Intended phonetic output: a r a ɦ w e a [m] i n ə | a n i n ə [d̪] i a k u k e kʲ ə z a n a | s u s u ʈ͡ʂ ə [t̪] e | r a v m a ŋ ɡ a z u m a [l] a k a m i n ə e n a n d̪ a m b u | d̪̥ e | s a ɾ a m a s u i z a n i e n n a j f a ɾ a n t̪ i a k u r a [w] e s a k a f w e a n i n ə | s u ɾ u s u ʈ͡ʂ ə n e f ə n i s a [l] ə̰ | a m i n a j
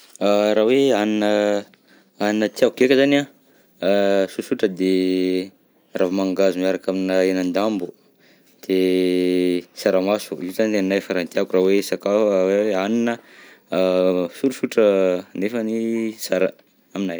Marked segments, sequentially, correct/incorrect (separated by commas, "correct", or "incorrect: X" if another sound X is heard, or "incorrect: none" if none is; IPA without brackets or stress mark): incorrect: n, incorrect: t̪, incorrect: d̪, incorrect: ɾ, correct, incorrect: ɾ